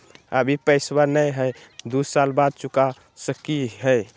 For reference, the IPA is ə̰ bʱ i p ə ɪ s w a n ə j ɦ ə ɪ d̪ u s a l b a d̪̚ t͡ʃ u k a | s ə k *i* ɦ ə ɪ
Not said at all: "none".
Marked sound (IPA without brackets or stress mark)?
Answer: i